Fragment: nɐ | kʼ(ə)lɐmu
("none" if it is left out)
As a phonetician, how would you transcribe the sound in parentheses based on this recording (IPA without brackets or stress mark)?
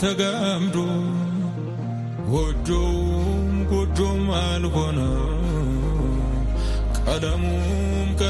ɐ